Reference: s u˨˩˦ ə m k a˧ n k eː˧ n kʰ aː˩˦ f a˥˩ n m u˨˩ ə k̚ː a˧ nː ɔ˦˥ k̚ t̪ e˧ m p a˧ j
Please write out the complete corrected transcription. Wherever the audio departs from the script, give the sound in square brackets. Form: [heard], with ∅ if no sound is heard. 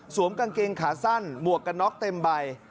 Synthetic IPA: s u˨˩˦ ə m k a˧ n k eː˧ [ŋ] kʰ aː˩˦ [s] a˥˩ n m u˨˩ ə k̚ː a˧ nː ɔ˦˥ k̚ t̪ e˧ m [b] a˧ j